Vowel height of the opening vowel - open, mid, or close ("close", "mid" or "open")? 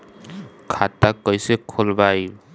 open